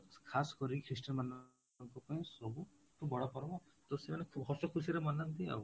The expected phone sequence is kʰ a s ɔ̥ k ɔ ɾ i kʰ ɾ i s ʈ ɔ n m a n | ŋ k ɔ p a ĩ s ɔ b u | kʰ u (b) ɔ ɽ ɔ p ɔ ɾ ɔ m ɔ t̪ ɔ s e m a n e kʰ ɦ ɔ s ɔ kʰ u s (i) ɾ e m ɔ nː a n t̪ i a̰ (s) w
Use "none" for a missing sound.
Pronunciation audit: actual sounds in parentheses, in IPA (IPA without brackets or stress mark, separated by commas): b, i, none